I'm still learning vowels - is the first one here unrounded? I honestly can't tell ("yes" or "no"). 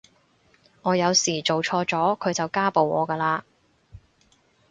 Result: no